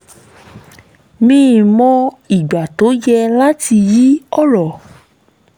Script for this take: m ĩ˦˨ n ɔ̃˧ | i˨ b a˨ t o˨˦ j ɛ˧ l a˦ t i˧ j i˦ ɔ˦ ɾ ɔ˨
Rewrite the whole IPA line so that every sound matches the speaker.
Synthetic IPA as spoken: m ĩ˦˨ m ɔ̃˧ | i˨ ɡ͡b a˨ t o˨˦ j ɛ˧ l a˦ t i˧ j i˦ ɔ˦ ɾ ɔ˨